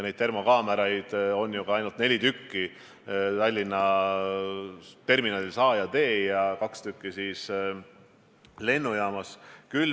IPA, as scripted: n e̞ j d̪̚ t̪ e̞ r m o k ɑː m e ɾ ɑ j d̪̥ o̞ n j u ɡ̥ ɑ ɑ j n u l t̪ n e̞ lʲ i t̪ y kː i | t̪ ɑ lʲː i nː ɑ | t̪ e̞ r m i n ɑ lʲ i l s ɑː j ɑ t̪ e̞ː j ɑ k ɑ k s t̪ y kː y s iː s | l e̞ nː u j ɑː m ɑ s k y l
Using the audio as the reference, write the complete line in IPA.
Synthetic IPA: n e̞ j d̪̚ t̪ e̞ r m o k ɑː m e ɾ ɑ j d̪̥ o̞ n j u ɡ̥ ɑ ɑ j n u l t̪ n e̞ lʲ i t̪ y kː i | t̪ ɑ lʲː i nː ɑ | t̪ e̞ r m i n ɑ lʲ i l s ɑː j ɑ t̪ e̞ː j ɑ k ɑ k s t̪ y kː i s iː s | l e̞ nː u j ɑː m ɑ s k y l